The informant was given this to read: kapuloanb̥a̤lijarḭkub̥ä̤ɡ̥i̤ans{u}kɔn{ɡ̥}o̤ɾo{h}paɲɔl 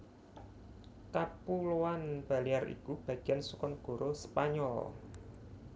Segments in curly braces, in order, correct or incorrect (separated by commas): correct, correct, incorrect